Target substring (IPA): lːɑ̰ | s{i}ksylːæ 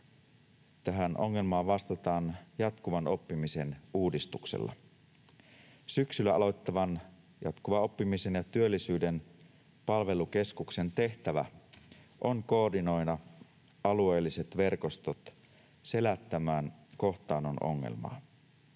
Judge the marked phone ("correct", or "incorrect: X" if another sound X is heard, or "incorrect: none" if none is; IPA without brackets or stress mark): incorrect: y